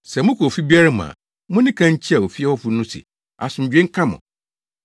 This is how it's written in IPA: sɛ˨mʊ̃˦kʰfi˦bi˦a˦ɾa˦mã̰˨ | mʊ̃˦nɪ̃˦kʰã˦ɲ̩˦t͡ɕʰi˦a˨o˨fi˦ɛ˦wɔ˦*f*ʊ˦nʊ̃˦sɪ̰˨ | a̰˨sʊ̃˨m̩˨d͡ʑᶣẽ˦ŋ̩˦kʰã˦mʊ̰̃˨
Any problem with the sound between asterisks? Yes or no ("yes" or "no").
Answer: no